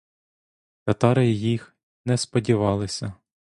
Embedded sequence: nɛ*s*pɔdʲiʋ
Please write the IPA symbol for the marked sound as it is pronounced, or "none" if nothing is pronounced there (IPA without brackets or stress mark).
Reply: s